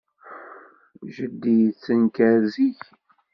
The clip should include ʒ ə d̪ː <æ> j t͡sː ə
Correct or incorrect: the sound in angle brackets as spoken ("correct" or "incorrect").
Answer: incorrect